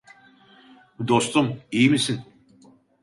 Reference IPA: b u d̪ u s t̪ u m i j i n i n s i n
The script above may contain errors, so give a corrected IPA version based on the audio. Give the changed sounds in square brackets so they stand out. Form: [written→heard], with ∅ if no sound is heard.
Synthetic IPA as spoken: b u d̪ [u→o] s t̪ u m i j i [n→m] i [n→∅] s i n